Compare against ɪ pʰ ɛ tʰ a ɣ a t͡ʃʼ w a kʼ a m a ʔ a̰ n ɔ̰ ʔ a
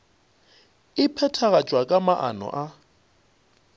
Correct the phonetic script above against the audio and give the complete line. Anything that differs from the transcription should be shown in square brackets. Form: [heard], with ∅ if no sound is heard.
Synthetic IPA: ɪ pʰ ɛ tʰ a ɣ a t͡ʃʼ w a kʼ a m a ʔ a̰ n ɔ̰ ʔ a